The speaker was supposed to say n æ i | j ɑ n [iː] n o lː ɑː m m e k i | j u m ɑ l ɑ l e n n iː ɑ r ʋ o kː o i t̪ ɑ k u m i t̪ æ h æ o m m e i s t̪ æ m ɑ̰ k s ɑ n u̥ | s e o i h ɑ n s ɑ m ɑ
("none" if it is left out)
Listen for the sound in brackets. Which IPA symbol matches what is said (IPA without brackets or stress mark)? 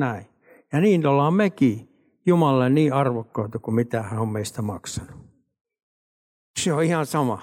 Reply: iː